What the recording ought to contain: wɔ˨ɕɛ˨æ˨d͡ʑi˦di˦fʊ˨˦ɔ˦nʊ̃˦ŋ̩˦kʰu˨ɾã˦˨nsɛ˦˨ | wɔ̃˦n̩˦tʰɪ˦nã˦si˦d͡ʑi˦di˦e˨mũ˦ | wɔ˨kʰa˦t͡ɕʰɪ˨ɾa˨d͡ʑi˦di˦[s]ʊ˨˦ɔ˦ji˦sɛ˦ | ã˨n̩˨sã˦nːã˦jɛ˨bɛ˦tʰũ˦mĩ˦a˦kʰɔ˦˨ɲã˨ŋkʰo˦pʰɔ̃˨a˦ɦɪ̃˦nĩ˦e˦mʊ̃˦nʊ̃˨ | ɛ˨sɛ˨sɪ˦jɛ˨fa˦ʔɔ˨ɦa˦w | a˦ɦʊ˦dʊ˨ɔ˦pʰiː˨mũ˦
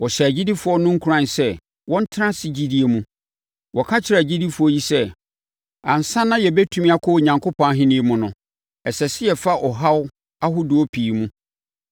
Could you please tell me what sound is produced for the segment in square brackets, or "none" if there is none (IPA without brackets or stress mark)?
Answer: f